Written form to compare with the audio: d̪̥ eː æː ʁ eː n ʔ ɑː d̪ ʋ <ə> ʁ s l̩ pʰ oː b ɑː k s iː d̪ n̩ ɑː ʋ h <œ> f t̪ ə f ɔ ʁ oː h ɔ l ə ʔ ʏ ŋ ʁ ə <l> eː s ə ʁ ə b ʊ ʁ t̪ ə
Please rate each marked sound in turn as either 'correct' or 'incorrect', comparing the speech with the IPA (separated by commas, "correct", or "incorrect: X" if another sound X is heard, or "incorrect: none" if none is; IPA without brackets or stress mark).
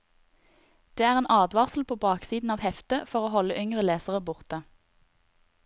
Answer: incorrect: ɑ, incorrect: ɛ, correct